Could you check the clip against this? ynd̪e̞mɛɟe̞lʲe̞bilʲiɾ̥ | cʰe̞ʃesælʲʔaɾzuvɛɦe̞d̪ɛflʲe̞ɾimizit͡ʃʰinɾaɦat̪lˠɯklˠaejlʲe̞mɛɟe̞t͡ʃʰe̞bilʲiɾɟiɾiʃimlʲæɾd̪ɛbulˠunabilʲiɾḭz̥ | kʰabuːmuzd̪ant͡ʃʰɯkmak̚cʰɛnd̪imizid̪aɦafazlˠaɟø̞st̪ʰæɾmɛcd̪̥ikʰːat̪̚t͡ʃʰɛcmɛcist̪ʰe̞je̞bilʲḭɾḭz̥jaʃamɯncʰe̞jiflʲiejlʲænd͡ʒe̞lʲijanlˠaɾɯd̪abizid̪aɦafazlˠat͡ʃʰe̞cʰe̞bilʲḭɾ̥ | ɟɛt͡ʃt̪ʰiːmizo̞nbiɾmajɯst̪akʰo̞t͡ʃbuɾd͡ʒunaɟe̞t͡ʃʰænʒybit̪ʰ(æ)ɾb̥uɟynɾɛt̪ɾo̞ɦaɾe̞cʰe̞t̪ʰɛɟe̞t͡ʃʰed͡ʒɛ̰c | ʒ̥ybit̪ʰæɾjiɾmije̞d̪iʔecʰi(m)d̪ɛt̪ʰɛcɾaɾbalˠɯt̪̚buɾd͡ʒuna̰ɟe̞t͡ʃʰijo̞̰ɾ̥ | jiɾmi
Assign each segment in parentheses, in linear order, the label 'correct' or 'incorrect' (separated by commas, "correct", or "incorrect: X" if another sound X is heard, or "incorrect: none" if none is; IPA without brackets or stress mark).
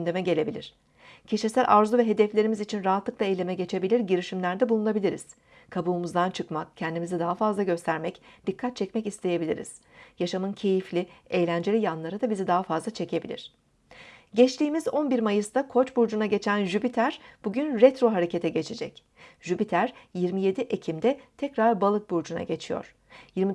correct, correct